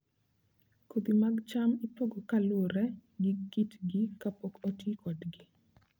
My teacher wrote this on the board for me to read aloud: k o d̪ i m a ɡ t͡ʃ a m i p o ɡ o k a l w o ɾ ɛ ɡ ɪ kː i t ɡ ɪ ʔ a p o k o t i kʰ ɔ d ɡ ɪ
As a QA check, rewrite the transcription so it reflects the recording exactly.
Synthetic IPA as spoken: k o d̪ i m a ɡ t͡ʃ a m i p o ɡ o k a l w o ɾ ɛ ɡ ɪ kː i t ɡ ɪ k a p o k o t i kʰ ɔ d ɡ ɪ

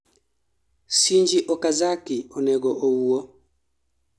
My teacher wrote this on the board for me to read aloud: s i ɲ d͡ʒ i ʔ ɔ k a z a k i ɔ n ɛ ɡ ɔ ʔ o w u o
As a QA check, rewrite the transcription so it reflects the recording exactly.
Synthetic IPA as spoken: s i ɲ d͡ʒ i ʔ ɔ k a z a k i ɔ n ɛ ɡ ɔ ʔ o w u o

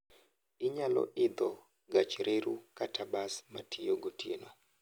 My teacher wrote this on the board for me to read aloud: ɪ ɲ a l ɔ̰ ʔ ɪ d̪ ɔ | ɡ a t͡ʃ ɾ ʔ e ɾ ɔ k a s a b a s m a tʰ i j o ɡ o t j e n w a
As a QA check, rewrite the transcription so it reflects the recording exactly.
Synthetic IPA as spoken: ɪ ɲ a l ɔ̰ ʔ ɪ d̪ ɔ | ɡ a t͡ʃ ɾ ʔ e ɾ u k a t a b a s m a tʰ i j o ɡ o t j e n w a

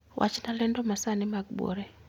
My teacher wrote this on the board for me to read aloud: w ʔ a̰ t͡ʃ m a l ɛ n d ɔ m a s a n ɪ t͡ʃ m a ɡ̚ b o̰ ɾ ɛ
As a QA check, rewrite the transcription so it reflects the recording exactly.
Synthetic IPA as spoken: w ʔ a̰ t͡ʃ n a l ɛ n d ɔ m a s a n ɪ m a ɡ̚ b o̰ ɾ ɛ

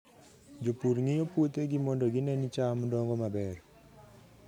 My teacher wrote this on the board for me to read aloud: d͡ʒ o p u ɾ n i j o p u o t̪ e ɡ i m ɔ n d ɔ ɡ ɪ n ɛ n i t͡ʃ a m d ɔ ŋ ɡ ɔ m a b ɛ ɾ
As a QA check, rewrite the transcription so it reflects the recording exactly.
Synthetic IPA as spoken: d͡ʒ o p u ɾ ŋ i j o p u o t̪ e ɡ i m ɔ n d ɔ ɡ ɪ n ɛ n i t͡ʃ a m d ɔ ŋ ɡ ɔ m a b ɛ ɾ

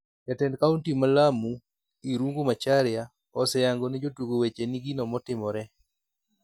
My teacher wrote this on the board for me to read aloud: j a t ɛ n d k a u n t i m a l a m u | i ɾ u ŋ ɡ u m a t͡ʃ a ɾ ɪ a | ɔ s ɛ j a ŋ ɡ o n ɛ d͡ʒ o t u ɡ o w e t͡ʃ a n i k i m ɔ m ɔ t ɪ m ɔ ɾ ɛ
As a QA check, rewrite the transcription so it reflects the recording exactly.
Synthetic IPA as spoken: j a t ɛ n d k a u n t i m a l a m u | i ɾ u ŋ ɡ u m a t͡ʃ a ɾ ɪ a | ɔ s ɛ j a ŋ ɡ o n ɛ d͡ʒ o t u ɡ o w e t͡ʃ e n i ɡ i n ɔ m ɔ t ɪ m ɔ ɾ ɛ

